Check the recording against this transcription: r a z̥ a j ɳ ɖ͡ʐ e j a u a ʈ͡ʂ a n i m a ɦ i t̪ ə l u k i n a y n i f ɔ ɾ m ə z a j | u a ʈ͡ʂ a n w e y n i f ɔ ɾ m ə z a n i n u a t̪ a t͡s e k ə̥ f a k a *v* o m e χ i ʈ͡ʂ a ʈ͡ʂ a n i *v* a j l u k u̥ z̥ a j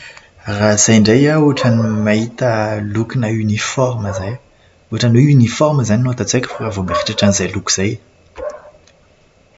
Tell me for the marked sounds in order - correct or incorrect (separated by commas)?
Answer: correct, incorrect